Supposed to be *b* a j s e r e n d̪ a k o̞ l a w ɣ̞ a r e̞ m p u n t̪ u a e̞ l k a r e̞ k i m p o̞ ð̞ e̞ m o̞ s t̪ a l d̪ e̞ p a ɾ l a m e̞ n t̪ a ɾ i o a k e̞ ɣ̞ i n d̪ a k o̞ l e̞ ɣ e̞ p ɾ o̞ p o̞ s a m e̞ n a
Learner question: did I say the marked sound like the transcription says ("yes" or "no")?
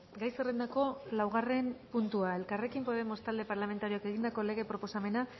no